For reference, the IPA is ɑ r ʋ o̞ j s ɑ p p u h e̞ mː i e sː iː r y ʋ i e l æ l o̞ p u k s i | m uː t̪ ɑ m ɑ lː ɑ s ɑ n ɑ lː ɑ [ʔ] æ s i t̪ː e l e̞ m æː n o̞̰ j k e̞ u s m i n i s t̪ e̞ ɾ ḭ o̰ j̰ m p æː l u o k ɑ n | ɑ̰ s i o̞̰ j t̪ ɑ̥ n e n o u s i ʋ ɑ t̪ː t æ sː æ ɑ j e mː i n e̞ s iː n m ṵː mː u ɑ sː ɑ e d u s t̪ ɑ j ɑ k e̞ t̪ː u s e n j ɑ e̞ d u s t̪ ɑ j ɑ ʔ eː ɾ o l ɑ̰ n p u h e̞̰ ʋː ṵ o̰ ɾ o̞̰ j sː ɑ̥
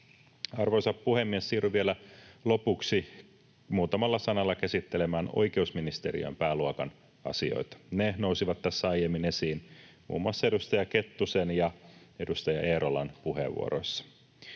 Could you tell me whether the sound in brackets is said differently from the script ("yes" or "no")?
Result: yes